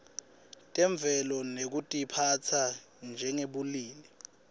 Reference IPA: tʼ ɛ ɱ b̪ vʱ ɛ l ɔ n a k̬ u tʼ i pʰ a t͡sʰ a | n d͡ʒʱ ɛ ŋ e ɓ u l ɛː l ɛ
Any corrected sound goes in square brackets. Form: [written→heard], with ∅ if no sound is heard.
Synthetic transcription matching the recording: tʼ ɛ ɱ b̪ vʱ ɛ l ɔ n [a→e] k̬ u tʼ i pʰ a t͡sʰ a | n d͡ʒʱ ɛ ŋ e ɓ u l [ɛː→iː] l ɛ